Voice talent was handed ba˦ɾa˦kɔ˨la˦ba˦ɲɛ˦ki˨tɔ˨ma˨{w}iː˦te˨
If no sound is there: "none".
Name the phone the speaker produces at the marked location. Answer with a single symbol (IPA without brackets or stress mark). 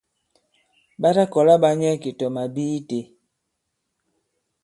b